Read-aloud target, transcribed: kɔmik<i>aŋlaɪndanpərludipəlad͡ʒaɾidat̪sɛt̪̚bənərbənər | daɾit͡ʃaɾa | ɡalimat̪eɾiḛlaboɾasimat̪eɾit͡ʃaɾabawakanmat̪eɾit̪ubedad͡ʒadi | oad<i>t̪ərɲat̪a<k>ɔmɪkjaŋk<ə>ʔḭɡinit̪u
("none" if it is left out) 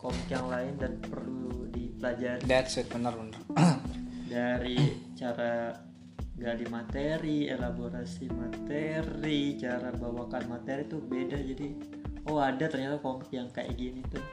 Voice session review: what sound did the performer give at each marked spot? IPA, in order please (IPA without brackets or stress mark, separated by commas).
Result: j, a, k, a